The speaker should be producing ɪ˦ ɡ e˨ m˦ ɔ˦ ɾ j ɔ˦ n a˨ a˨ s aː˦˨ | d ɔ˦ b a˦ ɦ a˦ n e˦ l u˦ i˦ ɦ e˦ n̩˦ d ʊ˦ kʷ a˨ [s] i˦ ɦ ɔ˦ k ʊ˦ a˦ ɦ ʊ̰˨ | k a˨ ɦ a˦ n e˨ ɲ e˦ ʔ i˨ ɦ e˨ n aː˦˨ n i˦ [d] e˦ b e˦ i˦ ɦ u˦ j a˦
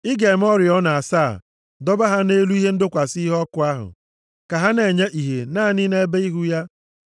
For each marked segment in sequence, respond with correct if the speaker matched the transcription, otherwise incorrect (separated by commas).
correct, incorrect